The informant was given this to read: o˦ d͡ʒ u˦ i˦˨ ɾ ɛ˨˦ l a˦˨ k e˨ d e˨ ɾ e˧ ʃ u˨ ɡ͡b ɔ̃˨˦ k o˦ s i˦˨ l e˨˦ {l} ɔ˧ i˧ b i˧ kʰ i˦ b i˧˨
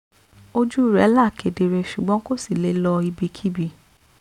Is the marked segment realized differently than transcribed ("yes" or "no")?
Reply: no